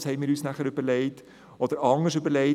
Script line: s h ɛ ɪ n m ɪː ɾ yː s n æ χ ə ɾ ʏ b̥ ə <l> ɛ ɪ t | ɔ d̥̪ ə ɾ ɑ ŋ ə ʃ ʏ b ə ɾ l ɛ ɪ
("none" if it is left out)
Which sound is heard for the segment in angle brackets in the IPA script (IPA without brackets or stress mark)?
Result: l